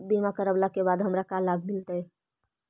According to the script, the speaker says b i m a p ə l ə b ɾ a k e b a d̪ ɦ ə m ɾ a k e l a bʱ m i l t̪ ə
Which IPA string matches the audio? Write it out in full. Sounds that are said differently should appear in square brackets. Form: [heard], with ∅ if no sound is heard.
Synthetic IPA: b i m a [k] ə [ɾ] ə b [l] a k e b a d̪ ɦ ə m ɾ a k [a] l a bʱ m i l t̪ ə